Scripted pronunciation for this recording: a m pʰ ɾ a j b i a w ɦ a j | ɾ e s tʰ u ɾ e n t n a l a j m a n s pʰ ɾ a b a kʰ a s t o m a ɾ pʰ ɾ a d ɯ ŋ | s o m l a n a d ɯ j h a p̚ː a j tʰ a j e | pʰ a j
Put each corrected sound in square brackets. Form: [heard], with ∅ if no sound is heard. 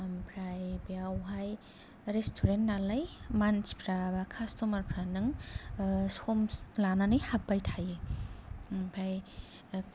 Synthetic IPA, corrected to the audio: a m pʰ ɾ a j b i a w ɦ a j | ɾ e s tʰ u ɾ e n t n a l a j m a n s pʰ ɾ a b a kʰ a s t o m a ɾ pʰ ɾ a [n] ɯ ŋ | s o m l a n a [n] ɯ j h a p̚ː a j tʰ a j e | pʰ a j